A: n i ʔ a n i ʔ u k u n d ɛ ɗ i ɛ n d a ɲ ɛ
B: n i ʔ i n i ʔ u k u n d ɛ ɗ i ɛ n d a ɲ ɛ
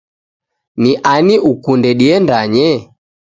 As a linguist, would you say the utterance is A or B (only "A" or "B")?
A